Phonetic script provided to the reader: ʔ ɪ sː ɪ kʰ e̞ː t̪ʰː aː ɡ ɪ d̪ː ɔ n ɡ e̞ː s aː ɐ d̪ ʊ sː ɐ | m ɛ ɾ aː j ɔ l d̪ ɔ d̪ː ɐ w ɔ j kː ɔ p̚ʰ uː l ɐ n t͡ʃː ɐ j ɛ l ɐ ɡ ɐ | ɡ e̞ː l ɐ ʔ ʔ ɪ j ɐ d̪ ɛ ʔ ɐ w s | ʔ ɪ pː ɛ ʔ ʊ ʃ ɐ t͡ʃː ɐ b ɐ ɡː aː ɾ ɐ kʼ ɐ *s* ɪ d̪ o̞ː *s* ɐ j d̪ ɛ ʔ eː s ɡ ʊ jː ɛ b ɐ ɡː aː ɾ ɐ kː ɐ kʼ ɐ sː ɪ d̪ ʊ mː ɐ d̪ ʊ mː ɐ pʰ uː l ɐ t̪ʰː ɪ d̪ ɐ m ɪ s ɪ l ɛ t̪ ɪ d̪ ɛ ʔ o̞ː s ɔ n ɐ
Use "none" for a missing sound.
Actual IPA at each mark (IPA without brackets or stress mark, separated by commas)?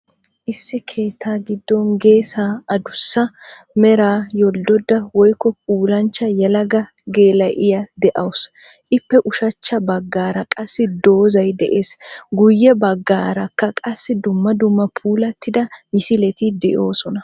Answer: sː, z